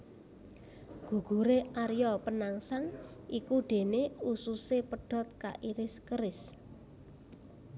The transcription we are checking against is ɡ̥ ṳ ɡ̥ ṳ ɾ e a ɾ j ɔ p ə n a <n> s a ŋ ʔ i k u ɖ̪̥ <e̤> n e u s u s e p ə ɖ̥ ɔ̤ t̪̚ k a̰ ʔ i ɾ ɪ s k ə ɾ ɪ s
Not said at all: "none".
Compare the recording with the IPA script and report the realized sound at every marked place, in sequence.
ŋ, e̤

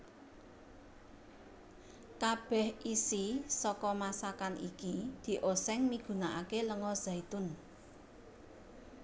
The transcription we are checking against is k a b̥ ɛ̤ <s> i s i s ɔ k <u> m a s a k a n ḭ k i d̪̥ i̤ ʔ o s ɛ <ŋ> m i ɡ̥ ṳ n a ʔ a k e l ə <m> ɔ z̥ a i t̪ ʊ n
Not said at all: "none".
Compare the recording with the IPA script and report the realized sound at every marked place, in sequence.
h, ɔ, ŋ, ŋ

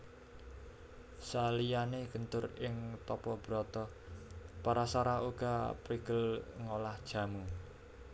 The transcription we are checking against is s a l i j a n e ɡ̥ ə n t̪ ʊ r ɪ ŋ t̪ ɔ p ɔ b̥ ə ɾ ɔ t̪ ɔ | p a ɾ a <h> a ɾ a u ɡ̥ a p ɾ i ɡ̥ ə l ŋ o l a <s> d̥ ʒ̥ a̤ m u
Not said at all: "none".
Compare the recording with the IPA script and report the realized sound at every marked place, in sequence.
s, h

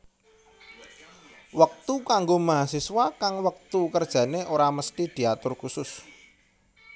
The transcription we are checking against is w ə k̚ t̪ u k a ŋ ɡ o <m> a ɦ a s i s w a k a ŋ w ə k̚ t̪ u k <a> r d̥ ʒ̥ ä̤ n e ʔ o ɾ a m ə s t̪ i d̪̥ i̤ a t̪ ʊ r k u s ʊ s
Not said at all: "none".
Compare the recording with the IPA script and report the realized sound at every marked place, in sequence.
m, ə

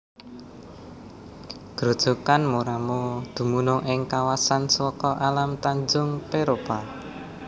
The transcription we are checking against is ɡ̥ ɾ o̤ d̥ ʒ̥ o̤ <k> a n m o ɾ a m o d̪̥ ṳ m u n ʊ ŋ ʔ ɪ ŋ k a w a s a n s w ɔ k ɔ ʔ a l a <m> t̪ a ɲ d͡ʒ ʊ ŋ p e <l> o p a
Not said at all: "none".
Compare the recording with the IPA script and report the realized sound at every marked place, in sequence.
k, m, ɾ

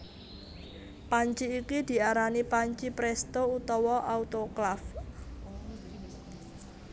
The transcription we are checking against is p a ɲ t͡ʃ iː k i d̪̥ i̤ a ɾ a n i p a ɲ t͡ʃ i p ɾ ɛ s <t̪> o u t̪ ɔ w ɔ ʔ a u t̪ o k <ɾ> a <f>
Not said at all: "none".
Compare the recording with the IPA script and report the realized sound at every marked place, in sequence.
t̪, l, f

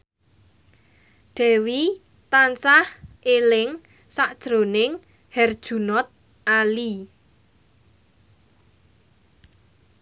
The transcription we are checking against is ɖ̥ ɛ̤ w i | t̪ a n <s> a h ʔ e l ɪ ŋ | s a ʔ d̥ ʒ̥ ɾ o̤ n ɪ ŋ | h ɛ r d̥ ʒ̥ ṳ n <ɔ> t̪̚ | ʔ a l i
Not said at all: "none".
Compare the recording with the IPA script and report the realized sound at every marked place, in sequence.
s, ɔ

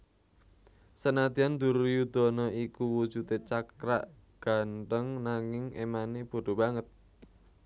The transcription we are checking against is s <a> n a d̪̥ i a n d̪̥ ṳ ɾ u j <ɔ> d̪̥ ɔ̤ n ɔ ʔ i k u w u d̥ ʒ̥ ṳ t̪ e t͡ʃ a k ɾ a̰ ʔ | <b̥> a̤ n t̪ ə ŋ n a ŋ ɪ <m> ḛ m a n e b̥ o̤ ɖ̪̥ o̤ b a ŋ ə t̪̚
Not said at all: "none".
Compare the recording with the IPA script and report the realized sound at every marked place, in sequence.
ə, u, ɡ̥, ŋ

